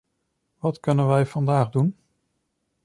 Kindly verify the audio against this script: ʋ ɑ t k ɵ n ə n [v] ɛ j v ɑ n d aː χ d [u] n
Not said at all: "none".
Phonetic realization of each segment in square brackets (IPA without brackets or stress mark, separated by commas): ʋ, u